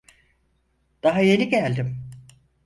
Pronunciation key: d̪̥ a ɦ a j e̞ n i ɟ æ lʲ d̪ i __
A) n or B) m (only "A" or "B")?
B